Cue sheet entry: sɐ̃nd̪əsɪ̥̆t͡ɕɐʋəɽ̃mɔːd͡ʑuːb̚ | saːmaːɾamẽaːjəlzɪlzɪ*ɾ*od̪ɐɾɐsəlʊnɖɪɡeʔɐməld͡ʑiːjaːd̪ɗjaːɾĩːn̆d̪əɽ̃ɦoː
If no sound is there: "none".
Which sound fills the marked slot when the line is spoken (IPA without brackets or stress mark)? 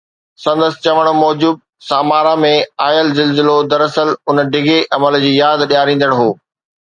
l